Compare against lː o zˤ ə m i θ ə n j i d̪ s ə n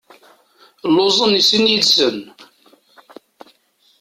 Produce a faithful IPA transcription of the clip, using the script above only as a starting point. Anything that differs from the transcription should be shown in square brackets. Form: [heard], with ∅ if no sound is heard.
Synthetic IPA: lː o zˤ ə [n] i [s] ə n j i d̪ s ə n